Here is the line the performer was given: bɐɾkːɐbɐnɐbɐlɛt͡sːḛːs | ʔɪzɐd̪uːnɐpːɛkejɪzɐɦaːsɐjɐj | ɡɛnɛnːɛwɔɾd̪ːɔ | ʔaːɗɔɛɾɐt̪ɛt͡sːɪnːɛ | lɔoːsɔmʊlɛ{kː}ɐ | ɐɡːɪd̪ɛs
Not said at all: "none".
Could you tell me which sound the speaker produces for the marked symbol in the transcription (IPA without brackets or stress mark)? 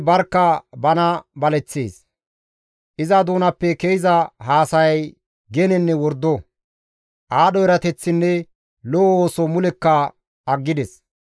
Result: kː